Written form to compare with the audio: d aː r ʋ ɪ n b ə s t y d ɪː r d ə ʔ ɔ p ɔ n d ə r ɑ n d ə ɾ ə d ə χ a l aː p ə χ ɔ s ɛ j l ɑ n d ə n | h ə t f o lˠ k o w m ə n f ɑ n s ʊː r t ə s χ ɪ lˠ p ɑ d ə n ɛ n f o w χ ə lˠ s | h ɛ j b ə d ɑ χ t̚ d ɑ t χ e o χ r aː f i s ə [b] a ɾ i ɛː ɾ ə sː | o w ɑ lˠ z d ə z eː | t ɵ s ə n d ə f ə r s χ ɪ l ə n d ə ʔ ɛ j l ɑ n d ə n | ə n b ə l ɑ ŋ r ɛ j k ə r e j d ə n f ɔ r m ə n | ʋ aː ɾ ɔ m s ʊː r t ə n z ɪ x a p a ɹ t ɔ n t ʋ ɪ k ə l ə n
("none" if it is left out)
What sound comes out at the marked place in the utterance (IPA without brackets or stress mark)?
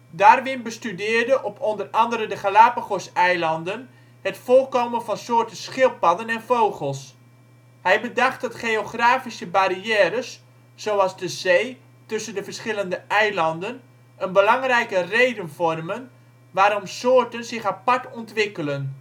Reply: b